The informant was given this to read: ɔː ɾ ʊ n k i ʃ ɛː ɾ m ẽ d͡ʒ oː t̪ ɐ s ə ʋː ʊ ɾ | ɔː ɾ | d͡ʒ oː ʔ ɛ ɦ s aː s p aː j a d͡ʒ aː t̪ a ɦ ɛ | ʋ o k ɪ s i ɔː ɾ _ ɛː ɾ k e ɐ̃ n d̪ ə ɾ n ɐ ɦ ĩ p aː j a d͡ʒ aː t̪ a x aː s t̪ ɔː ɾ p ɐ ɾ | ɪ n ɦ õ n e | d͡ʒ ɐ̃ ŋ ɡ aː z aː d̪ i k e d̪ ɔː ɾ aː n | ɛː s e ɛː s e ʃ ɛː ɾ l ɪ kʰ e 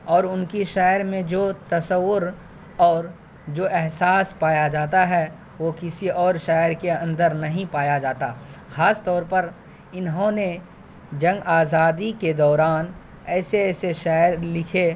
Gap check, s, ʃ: ʃ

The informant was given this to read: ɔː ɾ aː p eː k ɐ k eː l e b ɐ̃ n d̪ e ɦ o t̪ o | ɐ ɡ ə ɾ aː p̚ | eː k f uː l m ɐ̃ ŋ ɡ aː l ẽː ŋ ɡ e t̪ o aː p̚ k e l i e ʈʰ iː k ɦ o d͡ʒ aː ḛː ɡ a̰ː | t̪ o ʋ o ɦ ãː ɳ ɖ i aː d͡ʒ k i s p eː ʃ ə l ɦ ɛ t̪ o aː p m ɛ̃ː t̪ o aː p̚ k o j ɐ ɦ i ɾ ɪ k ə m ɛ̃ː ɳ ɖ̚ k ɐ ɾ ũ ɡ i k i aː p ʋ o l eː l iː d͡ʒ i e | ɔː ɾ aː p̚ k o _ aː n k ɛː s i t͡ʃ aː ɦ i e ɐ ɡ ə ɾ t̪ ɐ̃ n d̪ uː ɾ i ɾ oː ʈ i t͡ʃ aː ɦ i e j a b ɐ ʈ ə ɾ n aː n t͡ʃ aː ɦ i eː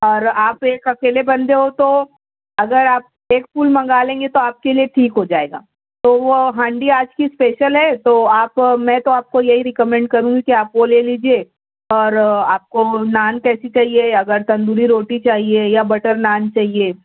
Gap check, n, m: n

